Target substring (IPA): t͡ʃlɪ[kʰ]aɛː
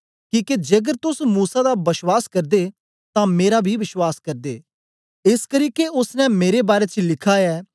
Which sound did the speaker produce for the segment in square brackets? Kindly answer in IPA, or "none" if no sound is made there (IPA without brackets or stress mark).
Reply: kʰ